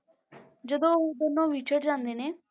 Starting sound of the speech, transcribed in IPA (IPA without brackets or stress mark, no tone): d͡ʒ